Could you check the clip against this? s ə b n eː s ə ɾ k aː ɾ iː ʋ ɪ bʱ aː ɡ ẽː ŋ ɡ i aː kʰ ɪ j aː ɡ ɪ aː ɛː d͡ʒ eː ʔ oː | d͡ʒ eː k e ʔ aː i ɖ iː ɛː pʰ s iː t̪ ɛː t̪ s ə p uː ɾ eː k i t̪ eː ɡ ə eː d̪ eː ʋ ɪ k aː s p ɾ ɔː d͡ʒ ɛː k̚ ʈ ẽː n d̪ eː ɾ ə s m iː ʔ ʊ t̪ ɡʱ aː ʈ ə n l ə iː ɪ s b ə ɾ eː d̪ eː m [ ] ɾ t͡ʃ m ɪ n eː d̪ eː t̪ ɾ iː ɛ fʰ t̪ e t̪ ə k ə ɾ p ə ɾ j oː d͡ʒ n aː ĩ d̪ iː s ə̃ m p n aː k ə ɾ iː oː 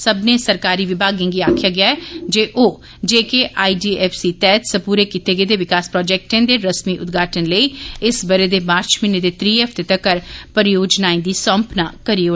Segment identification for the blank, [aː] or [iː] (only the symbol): aː